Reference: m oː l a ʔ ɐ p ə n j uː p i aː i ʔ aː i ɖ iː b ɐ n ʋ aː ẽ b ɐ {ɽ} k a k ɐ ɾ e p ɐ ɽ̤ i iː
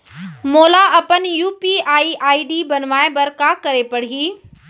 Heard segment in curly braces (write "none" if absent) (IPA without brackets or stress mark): ɾ